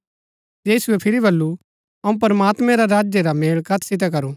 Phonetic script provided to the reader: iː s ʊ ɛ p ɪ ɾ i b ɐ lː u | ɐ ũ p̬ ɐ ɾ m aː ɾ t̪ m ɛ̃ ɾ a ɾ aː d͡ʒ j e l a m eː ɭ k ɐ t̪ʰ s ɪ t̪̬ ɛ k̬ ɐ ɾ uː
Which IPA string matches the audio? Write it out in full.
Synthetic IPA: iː s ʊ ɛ pʰ ɪ ɾ i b ɐ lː u | ɐ ũ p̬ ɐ ɾ m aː t̪ m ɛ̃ ɾ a ɾ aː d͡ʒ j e ɾ a m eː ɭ k ɐ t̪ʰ s ɪ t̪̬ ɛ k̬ ɐ ɾ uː